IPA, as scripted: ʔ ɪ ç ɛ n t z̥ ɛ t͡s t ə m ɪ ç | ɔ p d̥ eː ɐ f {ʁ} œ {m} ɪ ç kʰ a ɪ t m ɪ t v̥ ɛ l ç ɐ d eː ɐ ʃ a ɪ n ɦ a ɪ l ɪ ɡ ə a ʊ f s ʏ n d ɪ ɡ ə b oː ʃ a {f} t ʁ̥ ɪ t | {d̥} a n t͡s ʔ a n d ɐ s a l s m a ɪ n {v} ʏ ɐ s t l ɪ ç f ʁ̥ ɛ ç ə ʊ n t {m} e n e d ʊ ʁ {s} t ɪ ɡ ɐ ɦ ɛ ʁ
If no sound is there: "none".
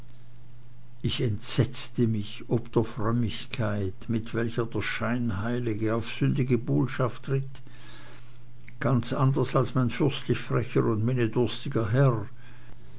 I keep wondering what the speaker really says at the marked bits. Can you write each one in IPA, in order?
ʁ, m, f, ɡ̥, f, m, s

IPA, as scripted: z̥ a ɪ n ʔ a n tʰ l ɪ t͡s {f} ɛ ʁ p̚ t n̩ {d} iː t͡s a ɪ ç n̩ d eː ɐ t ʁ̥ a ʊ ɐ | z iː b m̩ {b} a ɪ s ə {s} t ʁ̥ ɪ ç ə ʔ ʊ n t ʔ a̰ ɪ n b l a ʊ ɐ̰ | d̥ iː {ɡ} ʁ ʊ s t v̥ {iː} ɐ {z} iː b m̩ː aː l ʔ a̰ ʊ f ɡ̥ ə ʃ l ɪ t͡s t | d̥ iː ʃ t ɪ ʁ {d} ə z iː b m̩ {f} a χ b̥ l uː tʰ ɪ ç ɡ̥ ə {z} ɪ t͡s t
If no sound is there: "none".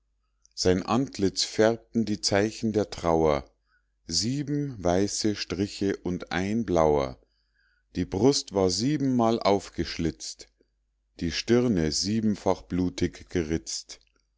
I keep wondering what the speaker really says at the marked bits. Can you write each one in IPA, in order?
f, d, v, ʃ, b, aː, z, n, f, ʁ

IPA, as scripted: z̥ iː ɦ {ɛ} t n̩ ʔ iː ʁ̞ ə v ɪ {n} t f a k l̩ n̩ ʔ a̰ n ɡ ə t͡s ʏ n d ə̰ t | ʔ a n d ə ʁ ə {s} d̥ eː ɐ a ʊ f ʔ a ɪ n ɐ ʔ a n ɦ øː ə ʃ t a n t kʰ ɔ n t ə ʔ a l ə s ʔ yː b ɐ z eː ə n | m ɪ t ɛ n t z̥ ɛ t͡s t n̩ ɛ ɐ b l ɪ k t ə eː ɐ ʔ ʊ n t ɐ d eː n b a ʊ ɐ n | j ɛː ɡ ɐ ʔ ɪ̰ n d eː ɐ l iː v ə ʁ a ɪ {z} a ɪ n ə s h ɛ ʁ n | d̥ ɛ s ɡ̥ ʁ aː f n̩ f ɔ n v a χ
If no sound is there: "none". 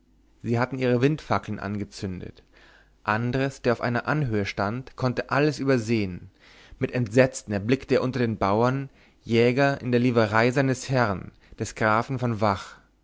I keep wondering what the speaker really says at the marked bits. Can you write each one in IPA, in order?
a, n, s, z

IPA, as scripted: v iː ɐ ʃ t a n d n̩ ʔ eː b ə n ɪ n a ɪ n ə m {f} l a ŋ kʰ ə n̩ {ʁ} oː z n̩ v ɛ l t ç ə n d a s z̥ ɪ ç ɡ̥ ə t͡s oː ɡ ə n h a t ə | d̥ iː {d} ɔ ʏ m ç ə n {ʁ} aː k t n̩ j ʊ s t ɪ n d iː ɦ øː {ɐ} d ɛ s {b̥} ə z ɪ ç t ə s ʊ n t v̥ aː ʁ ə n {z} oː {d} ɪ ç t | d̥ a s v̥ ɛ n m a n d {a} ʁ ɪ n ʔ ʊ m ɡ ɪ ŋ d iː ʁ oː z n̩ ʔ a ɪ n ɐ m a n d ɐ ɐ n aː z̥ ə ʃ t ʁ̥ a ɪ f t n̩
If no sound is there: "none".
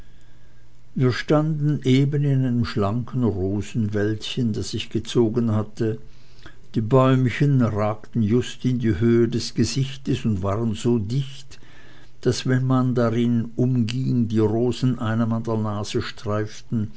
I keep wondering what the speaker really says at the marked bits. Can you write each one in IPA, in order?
ʃ, ʁ, b, ʁ, ə, ɡ̥, z, d, a

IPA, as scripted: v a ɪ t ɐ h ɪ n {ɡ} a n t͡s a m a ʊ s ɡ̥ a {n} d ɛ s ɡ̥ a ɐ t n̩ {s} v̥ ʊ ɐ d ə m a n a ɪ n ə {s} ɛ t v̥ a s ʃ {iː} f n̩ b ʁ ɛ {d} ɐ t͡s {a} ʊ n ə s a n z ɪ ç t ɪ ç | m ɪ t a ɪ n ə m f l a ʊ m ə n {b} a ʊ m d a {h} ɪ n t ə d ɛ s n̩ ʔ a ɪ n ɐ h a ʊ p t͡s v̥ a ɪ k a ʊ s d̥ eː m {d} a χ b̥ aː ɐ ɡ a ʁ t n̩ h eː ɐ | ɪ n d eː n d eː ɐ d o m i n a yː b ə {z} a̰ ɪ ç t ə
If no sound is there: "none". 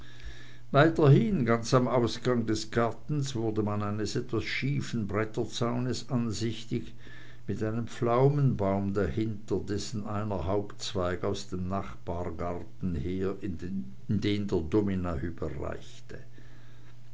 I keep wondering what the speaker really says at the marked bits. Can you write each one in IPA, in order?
ɡ, ŋ, s, s, iː, t, a, b, h, n, ʁ

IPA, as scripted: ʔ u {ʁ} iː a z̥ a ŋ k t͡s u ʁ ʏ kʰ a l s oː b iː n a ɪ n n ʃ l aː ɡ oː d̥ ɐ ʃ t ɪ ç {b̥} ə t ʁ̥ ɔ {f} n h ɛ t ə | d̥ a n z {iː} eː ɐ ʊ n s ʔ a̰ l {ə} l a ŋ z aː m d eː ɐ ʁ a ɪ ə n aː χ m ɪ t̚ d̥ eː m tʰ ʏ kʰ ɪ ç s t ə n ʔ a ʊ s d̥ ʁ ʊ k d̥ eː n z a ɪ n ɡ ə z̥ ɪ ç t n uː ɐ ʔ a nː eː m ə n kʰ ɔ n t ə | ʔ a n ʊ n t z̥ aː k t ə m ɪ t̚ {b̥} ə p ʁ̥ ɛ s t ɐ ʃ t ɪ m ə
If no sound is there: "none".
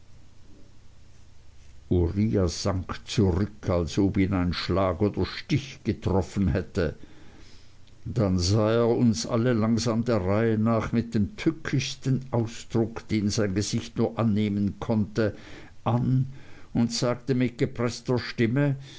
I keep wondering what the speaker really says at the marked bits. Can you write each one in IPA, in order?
ʁ, ɡ̥, f, aː, ə, ɡ̥

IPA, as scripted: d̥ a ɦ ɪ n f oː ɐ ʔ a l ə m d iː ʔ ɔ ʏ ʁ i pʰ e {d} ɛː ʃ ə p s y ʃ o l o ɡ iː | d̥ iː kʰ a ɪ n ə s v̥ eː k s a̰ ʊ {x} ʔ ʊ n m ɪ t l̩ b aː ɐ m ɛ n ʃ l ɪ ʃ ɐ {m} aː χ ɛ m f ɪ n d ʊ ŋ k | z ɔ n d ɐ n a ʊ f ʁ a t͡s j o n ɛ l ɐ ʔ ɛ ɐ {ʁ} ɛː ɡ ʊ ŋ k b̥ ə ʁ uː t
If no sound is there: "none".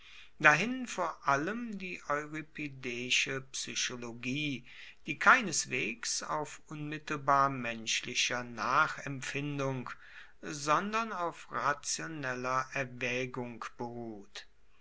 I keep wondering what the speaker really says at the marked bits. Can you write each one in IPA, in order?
d, f, n, v

